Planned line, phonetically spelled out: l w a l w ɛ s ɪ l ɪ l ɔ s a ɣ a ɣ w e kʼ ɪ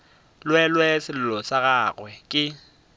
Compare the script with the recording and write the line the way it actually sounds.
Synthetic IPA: l w ɛ l w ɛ s ɪ l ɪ l ɔ s a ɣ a ɣ w ɛ kʼ ɪ